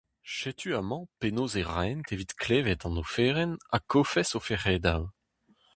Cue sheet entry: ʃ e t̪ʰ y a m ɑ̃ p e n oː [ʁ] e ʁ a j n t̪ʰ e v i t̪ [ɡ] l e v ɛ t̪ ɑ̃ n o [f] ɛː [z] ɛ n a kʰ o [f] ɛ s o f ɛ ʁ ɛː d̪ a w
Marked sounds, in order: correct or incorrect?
incorrect: z, incorrect: k, correct, incorrect: ʁ, correct

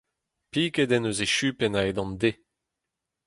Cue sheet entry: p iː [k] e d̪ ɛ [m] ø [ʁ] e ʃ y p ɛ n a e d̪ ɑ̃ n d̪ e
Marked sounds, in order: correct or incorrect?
correct, incorrect: n, incorrect: z

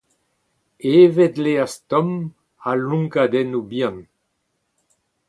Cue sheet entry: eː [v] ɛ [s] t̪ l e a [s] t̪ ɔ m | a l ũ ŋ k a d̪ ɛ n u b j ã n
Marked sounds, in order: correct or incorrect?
correct, incorrect: none, correct

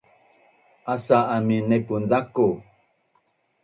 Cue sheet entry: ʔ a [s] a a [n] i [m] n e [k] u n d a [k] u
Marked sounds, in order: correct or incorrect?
correct, incorrect: m, incorrect: none, incorrect: p, correct

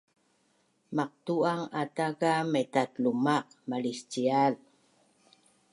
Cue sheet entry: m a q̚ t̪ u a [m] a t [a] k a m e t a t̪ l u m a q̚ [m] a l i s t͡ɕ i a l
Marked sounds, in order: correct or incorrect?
incorrect: ŋ, correct, correct

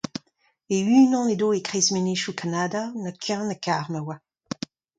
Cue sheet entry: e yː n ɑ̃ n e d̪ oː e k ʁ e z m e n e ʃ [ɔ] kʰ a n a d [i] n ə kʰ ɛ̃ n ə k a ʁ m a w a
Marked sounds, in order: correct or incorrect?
incorrect: u, incorrect: a

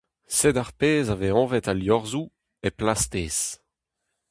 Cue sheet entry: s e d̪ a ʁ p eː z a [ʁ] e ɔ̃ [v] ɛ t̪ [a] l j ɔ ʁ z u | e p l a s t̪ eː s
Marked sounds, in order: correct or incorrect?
incorrect: v, correct, correct

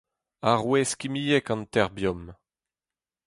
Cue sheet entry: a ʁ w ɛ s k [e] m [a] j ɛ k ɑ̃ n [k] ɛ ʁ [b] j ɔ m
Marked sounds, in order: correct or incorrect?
incorrect: i, incorrect: i, incorrect: t, correct

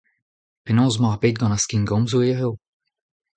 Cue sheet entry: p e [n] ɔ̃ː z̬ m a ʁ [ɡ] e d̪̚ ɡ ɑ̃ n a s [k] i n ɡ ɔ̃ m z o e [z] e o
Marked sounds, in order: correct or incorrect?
correct, incorrect: b, correct, incorrect: ʁ

